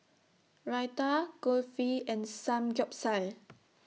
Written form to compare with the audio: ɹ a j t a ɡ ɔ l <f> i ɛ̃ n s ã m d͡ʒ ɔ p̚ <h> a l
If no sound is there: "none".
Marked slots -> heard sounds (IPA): f, s

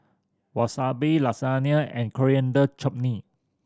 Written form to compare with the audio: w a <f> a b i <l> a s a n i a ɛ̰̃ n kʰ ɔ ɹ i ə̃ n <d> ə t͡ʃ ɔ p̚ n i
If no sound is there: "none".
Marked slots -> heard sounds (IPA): s, l, d

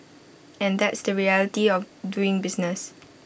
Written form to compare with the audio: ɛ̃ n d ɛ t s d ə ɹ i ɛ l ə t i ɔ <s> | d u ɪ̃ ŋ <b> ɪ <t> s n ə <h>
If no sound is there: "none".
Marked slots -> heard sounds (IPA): f, b, none, s

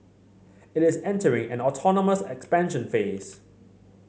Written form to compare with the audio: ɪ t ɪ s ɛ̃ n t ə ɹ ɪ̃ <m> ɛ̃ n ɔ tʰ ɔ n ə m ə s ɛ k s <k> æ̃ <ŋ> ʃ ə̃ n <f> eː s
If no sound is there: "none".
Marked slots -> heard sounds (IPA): ŋ, p, n, f

